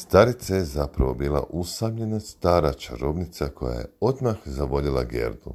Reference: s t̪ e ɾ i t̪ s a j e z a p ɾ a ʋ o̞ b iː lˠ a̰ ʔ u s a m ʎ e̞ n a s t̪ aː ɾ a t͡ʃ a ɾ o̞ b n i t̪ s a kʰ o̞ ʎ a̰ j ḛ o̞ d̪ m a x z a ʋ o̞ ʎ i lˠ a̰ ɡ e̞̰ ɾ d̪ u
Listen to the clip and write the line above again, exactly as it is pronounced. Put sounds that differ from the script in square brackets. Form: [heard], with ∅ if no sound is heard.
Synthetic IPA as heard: s t̪ [a] ɾ i t̪ s a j e z a p ɾ a ʋ o̞ b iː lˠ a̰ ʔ u s a m ʎ e̞ n a s t̪ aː ɾ a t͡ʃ a ɾ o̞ b n i t̪ s a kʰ o̞ [j] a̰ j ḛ o̞ d̪ m a x z a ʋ o̞ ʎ i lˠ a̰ ɡ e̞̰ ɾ d̪ u